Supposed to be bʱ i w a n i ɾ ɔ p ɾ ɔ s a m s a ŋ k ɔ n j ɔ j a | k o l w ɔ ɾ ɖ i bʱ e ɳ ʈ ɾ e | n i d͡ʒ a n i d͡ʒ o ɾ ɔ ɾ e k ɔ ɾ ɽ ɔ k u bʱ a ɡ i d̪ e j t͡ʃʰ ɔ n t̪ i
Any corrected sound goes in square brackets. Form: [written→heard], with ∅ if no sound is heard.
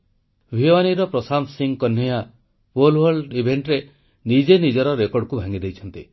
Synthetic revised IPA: bʱ i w a n i ɾ ɔ p ɾ ɔ s a m s [a→i] ŋ k ɔ n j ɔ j a | [k→p] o l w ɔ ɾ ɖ i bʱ e ɳ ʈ ɾ e | n i d͡ʒ [a→e] n i d͡ʒ [o→ɔ] ɾ ɔ ɾ e k ɔ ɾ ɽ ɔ k u bʱ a [ɡ→ŋ] i d̪ e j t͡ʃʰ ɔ n t̪ i